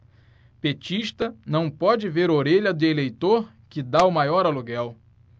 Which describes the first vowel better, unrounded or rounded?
unrounded